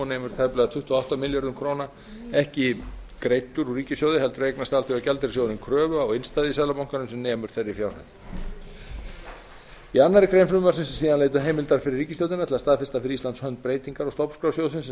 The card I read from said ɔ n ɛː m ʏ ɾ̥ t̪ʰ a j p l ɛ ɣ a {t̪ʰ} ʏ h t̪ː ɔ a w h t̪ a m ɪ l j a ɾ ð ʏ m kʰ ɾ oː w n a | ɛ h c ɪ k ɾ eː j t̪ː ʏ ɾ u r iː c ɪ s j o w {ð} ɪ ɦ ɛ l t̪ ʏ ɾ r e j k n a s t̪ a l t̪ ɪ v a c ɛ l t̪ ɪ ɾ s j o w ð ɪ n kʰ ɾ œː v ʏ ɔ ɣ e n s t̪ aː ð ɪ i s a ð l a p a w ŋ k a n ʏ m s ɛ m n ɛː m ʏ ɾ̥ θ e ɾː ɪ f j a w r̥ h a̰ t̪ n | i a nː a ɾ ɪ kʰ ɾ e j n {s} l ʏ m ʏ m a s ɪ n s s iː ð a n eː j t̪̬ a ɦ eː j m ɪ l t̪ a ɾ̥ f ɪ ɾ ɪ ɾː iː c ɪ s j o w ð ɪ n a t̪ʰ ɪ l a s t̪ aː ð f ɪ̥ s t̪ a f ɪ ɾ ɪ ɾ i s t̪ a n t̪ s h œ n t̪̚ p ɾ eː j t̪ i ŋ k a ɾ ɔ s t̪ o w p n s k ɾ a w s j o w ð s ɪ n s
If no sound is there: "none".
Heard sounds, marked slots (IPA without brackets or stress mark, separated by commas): t̪ʰ, ð, f